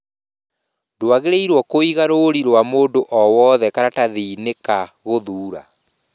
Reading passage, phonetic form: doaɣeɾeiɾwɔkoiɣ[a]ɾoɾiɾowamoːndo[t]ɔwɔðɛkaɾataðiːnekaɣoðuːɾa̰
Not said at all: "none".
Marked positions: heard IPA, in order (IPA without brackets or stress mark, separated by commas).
a, ʔ